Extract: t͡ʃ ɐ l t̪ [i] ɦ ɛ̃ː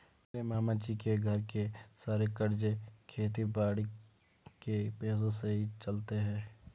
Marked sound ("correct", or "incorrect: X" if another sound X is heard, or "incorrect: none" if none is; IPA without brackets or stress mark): incorrect: e